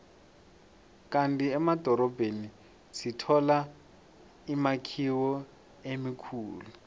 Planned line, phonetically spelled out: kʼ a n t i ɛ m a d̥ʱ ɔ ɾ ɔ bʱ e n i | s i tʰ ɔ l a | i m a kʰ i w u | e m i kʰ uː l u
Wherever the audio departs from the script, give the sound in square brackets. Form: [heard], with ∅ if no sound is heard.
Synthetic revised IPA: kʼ a n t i ɛ m a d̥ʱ ɔ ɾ ɔ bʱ e n i | s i tʰ ɔ l a | i m a kʰ i w [ɔ] | e m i kʰ uː l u